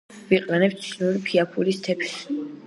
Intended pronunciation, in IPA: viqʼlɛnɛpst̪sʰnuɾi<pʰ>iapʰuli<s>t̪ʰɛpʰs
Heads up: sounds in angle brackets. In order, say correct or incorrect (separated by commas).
correct, correct